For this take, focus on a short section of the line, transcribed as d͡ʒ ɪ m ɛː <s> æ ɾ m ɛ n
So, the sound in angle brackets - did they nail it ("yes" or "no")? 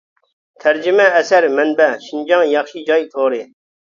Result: yes